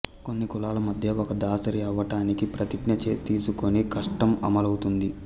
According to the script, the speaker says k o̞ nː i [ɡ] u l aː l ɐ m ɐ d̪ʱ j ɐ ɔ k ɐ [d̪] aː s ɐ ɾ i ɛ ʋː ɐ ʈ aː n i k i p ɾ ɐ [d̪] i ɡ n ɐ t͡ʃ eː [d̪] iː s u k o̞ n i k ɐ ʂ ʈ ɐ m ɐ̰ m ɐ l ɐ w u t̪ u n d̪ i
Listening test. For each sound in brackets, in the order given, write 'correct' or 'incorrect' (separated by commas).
incorrect, correct, incorrect, incorrect